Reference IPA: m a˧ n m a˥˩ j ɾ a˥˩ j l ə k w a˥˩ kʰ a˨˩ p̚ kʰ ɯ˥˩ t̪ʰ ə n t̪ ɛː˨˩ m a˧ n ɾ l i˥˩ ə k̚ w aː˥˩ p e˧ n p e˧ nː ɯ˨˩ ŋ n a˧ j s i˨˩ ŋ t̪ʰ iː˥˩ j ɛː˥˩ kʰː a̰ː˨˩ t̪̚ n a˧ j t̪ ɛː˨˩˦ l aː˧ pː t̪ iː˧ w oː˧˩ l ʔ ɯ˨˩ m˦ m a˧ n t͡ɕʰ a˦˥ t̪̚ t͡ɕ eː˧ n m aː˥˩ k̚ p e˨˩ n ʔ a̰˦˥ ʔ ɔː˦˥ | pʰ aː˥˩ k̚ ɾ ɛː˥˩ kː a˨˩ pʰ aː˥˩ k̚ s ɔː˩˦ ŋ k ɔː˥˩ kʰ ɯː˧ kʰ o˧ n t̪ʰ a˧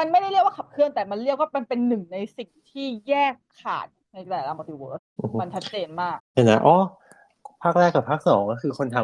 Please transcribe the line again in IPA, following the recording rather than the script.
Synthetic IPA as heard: m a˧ n m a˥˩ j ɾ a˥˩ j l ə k w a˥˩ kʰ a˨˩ p̚ kʰ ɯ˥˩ ə n t̪ ɛː˨˩ m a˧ n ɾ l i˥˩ ə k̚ w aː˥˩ p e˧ n p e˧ nː ɯ˨˩ ŋ n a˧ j s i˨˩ ŋ t̪ʰ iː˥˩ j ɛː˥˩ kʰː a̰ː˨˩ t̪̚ n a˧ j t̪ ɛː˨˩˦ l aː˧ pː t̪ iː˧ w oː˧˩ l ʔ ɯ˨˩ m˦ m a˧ n t͡ɕʰ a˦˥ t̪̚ t͡ɕ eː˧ n m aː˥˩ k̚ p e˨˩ n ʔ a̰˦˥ ʔ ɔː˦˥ | pʰ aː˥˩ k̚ ɾ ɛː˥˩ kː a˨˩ pʰ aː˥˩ k̚ s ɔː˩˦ ŋ k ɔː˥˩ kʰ ɯː˧ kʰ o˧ n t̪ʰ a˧